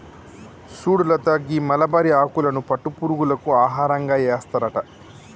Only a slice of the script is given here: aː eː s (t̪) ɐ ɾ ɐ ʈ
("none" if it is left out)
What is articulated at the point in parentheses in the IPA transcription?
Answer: t̪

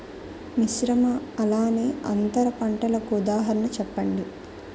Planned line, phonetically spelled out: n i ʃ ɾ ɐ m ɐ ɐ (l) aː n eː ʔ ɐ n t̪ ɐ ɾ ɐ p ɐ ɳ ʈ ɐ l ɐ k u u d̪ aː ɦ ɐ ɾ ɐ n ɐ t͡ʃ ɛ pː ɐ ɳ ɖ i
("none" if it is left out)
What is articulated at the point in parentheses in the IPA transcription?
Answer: l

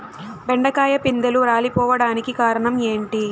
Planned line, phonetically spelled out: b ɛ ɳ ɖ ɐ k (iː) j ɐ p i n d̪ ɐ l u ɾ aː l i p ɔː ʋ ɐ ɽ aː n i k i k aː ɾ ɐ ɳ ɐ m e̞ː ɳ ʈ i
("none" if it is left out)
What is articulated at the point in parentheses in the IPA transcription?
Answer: aː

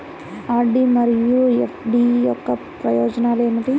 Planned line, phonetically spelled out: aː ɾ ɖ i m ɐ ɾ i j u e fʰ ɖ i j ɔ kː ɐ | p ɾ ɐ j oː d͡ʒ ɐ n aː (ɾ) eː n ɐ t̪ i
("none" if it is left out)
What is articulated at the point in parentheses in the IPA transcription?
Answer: l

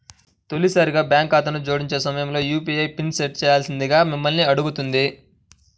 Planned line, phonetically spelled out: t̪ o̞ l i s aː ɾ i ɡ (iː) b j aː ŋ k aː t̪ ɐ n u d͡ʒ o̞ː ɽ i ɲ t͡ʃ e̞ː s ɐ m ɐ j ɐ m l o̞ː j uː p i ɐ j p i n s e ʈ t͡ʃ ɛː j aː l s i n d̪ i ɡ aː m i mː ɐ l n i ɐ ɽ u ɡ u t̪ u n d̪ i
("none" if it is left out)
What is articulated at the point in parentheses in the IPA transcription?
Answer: aː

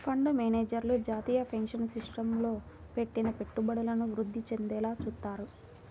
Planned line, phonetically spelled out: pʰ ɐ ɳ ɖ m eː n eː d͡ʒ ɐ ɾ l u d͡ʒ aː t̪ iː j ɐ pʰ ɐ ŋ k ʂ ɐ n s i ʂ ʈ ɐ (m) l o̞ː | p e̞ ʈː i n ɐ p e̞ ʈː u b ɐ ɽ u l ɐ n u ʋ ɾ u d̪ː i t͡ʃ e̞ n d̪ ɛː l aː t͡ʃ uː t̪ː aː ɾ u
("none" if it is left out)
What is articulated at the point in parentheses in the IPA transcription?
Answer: m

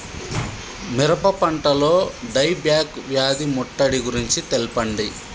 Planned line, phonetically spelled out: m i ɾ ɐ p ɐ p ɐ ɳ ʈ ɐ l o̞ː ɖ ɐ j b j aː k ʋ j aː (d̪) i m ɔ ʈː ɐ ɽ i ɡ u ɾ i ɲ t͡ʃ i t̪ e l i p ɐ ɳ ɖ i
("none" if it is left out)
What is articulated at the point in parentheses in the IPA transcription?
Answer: d̪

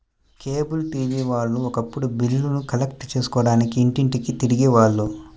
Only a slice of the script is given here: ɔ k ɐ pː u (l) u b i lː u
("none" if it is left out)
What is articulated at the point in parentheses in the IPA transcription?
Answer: ɽ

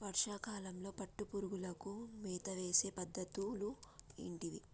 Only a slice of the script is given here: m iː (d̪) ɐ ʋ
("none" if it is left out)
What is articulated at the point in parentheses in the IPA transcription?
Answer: t̪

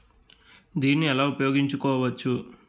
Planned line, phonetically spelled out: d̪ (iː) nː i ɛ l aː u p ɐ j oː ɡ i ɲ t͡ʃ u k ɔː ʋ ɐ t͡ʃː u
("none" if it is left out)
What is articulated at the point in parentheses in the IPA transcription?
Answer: iː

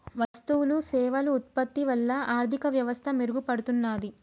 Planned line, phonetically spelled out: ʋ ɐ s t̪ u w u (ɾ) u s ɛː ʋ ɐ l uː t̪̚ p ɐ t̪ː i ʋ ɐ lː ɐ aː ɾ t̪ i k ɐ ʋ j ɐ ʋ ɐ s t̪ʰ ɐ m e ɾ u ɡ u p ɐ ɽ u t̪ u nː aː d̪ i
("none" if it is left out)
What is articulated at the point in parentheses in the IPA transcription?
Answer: l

